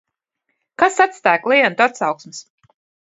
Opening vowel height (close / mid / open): open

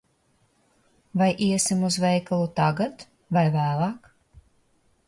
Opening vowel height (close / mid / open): open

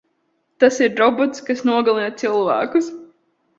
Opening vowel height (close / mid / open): open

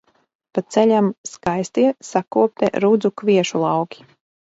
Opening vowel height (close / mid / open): open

